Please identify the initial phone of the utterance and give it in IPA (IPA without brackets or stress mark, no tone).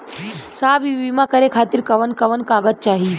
s